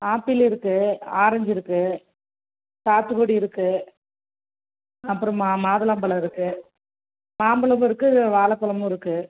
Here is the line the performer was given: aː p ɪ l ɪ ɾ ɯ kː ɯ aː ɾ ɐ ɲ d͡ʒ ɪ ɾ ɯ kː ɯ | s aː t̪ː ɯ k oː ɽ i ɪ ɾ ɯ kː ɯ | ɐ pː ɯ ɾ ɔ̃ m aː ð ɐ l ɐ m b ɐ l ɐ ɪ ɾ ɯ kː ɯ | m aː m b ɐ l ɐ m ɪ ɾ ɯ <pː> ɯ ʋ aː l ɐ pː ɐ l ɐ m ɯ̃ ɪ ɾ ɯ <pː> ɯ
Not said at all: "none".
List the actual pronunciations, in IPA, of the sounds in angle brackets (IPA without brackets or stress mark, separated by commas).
kː, kː